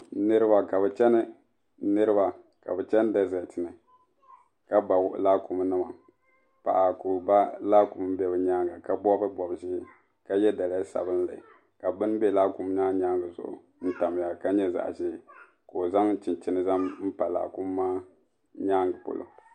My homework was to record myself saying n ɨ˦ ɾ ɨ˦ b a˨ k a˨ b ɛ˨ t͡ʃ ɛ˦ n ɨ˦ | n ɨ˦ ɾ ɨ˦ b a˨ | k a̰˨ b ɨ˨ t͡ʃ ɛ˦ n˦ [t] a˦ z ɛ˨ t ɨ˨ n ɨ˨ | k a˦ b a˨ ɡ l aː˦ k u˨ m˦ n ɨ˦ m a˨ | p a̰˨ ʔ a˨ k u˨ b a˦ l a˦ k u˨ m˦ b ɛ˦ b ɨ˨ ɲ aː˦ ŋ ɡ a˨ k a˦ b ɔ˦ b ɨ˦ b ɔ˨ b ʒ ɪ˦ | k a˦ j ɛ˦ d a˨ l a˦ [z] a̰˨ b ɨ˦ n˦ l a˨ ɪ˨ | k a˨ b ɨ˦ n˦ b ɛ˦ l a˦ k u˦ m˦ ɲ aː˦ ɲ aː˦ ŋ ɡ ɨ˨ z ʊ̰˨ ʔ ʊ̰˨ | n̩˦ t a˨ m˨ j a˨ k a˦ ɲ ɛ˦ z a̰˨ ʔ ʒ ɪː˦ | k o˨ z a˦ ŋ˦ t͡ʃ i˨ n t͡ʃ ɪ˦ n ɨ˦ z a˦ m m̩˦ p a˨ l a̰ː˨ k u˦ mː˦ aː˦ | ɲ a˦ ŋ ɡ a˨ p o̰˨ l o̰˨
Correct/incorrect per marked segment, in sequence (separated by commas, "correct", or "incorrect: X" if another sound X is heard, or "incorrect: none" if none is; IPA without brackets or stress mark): incorrect: d, incorrect: s